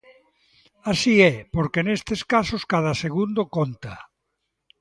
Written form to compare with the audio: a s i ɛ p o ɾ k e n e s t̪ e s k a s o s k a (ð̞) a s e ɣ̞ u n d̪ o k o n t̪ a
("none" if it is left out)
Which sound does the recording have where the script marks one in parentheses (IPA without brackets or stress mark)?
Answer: ð̞